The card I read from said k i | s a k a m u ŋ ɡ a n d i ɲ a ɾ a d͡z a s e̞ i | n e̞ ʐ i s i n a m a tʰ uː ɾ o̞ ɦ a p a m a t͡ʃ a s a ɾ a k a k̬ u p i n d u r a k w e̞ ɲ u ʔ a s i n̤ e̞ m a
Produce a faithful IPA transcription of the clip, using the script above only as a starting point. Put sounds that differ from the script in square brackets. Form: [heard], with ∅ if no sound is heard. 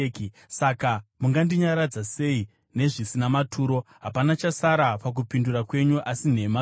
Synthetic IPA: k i | s a k a m u ŋ ɡ a n d i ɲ a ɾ a d͡z a s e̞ i | n e̞ ʐ i s i n a m a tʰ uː ɾ o̞ ɦ a p a [n] a t͡ʃ a s a ɾ a [p] a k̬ u p i n d u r a k w e̞ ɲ u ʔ a s i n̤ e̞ m a